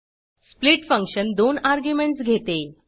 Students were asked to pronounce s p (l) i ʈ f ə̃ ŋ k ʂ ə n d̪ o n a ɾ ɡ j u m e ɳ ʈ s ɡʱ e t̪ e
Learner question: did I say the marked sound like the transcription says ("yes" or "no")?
yes